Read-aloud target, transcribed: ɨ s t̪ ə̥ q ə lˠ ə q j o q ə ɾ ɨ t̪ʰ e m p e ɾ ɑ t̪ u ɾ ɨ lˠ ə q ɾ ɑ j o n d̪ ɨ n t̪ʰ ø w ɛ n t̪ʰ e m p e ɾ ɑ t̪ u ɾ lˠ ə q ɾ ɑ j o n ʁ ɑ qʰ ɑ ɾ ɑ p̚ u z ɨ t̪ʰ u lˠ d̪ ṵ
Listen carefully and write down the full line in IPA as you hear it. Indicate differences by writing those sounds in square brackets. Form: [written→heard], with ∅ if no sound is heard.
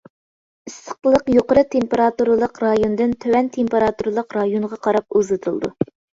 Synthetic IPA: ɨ s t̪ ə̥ q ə lˠ ə q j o q ə ɾ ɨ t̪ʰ e m p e ɾ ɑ t̪ u ɾ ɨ lˠ ə q ɾ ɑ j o n d̪ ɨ n t̪ʰ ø w ɛ n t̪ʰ e m p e ɾ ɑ t̪ u ɾ lˠ ə q ɾ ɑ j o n ʁ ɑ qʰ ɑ ɾ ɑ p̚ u z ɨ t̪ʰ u lˠ d̪ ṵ